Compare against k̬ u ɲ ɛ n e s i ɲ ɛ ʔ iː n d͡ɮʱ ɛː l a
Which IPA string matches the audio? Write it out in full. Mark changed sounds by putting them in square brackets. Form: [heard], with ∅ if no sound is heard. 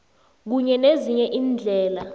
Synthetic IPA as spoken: k̬ u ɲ ɛ n e [z] i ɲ ɛ ʔ iː n d͡ɮʱ ɛː l a